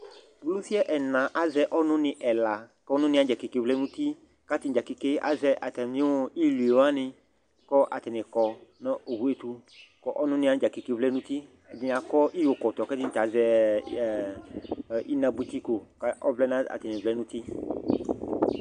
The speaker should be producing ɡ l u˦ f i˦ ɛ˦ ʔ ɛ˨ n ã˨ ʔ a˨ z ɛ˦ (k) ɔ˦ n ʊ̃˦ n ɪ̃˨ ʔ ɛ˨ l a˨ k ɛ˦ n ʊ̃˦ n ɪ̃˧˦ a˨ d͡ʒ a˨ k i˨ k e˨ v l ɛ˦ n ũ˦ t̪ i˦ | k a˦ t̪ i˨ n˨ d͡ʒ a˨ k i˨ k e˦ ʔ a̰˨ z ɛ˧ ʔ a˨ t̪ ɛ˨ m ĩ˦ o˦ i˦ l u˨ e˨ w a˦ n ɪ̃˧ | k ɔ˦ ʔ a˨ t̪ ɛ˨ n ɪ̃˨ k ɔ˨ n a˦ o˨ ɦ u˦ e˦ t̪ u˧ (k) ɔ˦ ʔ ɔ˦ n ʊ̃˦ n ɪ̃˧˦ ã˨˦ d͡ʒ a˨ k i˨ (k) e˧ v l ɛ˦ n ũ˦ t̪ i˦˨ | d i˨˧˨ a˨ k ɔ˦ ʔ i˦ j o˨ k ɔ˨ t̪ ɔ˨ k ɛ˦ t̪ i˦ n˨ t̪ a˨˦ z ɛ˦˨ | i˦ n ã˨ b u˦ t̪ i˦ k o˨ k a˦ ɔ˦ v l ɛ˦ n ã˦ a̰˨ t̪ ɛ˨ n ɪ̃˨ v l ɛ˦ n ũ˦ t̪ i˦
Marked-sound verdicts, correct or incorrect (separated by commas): incorrect, correct, correct